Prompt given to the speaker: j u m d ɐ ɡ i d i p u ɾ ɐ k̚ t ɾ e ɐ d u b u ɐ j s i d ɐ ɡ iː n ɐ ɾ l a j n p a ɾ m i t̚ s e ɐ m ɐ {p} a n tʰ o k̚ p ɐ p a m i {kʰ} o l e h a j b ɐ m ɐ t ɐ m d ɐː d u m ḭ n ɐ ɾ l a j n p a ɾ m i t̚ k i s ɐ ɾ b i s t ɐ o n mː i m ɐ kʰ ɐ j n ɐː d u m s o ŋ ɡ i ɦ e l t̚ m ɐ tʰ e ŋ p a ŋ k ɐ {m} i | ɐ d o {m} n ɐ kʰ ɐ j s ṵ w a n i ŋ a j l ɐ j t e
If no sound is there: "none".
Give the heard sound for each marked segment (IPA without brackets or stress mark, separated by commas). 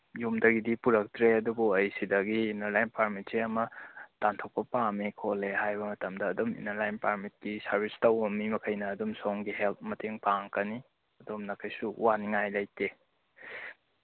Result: t, kʰ, n, m